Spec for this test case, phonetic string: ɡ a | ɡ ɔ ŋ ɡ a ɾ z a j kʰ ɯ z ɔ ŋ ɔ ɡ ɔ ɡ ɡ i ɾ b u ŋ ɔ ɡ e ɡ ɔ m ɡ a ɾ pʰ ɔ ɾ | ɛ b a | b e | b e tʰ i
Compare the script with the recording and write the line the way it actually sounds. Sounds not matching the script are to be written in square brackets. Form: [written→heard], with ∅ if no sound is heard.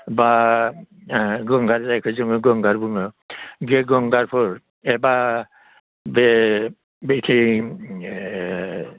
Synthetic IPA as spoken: [ɡ→b] a | ɡ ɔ ŋ ɡ a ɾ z a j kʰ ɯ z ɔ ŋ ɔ ɡ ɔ [ɡ→ŋ] ɡ [i→a] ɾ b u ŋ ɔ ɡ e ɡ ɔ [m→ŋ] ɡ a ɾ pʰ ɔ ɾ | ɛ b a | b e | b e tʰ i